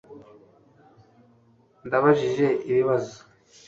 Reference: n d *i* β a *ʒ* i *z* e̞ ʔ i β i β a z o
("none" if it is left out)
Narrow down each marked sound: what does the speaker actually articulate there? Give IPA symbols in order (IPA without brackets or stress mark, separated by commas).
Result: a, ʒ, ʒ